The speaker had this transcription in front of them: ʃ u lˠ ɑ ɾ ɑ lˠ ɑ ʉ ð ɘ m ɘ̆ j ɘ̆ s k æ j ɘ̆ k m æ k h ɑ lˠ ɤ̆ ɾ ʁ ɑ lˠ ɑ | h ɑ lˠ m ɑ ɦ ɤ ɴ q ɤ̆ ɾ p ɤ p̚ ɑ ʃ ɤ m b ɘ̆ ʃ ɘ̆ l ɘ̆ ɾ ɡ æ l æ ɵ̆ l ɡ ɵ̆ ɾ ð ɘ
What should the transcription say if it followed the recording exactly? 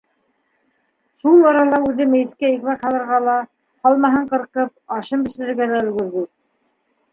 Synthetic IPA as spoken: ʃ u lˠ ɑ ɾ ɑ lˠ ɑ ʉ ð ɘ m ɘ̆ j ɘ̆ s k æ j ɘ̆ k m æ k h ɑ lˠ ɤ̆ ɾ ʁ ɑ lˠ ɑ | h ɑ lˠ m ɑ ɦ ɤ ɴ q ɤ̆ ɾ q ɤ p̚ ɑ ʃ ɤ m b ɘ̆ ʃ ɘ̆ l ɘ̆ ɾ ɡ æ l æ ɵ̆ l ɡ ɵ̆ ɾ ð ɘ